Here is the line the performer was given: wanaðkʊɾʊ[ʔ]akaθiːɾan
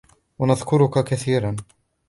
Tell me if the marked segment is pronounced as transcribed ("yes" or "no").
no